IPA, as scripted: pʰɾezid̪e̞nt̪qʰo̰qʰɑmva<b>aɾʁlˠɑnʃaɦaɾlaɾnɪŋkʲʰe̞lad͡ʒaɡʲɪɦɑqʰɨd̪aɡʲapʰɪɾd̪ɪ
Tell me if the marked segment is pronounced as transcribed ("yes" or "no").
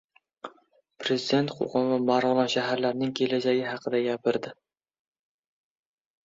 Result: no